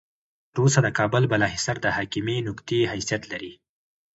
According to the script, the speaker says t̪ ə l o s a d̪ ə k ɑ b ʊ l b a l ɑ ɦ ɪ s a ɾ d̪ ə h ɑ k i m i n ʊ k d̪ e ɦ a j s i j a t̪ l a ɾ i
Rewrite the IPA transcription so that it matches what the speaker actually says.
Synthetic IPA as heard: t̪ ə ɾ o s a d̪ ə k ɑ b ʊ l b a l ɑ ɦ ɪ s a ɾ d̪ ə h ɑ k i m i n ʊ k t̪ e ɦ a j s i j a t̪ l a ɾ i